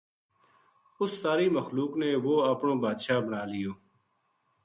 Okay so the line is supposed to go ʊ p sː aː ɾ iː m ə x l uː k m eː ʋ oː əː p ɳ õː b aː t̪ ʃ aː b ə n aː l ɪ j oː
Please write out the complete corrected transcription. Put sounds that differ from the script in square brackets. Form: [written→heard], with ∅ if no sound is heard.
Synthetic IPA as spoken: ʊ [p→∅] sː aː ɾ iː m ə x l uː k [m→n] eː ʋ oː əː p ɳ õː b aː [t̪→d̪] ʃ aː b ə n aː l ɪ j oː